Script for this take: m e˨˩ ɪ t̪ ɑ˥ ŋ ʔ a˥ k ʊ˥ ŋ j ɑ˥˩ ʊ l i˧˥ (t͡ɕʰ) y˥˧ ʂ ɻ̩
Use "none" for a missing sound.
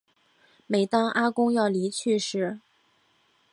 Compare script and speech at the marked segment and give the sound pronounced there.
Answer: t͡ɕʰ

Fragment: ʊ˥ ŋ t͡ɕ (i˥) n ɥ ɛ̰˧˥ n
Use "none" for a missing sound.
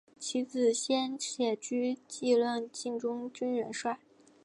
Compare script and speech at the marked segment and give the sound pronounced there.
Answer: y˥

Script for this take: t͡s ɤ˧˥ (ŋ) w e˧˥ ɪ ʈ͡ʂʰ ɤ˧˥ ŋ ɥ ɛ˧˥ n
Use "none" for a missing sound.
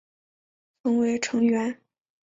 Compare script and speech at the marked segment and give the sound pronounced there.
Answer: ŋ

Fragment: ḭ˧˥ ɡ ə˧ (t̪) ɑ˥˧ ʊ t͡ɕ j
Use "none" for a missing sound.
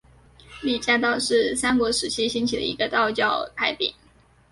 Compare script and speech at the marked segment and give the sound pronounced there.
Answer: t̪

